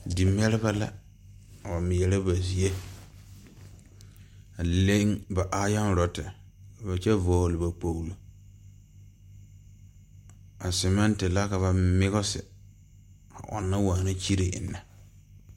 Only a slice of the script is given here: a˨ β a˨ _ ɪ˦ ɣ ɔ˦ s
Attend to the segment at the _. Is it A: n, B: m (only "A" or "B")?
B